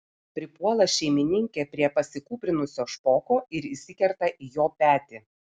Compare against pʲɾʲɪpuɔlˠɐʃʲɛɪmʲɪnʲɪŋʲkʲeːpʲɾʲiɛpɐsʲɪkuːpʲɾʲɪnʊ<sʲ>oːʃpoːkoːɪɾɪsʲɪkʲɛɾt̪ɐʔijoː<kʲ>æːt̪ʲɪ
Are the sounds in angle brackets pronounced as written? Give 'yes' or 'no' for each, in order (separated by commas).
yes, no